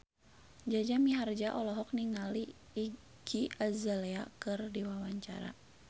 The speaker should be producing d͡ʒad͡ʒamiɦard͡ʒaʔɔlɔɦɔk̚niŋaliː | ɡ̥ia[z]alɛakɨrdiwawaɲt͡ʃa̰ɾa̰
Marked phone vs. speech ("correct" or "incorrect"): correct